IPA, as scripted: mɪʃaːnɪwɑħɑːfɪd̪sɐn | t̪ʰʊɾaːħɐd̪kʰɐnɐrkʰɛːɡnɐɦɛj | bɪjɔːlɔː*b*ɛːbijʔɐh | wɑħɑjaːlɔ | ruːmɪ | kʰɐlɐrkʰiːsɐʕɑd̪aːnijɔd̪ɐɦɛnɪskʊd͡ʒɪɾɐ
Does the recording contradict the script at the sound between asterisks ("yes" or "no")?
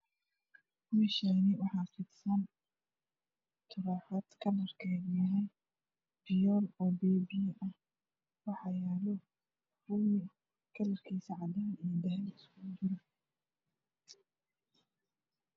no